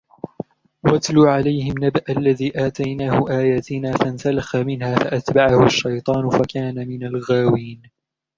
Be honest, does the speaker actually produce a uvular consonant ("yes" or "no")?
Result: no